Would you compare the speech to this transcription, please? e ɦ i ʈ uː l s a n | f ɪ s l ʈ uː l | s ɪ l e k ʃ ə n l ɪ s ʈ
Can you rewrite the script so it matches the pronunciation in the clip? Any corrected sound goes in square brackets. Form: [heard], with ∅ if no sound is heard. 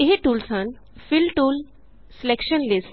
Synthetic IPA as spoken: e ɦ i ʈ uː l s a n | f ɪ [∅] l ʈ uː l | s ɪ l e k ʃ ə n l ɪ s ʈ